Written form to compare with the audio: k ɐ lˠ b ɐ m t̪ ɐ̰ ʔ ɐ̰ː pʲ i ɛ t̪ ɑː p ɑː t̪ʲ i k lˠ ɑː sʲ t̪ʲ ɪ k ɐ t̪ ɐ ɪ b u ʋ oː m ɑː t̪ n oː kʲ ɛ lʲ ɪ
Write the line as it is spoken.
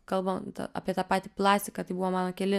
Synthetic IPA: k ɐ lˠ b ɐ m t̪ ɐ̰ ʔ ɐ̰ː pʲ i ɛ t̪ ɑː p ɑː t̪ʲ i p lˠ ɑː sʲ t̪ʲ ɪ k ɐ t̪ ɐ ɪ b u ʋ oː m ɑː n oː kʲ ɛ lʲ ɪ